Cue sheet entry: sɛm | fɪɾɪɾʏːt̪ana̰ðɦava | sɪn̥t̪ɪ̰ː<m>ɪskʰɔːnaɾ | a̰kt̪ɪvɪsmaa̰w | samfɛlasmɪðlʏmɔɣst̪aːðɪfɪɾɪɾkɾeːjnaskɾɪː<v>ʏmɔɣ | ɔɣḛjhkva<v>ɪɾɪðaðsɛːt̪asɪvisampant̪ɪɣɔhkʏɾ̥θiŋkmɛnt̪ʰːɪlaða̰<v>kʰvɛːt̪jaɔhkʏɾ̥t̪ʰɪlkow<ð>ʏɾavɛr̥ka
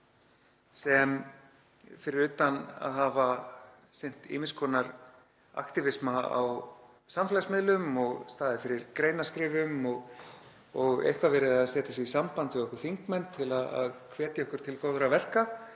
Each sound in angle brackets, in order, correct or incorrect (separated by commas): correct, correct, correct, incorrect, correct